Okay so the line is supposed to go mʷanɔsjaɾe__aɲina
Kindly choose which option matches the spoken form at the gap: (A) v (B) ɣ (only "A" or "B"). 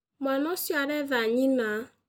A